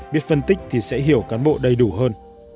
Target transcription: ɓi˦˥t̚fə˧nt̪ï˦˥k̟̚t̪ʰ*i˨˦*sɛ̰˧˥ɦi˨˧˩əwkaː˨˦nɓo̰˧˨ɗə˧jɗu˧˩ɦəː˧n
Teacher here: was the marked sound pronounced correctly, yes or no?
no